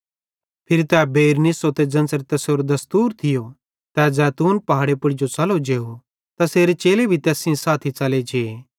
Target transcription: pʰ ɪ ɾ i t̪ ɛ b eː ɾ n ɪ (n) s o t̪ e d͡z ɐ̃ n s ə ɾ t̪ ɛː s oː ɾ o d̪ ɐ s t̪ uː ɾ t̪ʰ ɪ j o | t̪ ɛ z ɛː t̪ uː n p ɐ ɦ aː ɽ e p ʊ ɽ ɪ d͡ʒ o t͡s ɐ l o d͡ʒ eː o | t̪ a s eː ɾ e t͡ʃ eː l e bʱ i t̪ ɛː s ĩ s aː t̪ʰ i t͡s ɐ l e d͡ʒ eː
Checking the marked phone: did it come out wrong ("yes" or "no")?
yes